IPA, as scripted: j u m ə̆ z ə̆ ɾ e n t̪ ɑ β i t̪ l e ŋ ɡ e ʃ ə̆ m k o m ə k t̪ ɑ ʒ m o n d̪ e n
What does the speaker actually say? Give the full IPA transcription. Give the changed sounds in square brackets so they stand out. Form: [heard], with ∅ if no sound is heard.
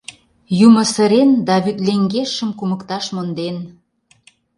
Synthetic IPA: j u m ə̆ [s] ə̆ ɾ e n [d̪] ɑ β [y] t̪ l e ŋ ɡ e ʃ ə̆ m k [u] m ə k t̪ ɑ [ʃ] m o n d̪ e n